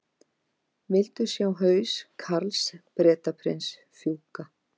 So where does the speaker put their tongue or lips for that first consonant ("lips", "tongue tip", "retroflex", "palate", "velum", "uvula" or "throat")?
lips